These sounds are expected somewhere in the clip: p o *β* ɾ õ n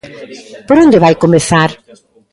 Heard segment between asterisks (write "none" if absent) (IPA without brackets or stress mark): none